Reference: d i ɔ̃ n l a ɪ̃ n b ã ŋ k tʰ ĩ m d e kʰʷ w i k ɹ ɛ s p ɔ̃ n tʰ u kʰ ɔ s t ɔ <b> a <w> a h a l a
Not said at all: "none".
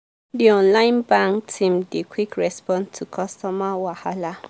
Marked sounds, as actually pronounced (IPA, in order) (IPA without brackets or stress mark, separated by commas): m, w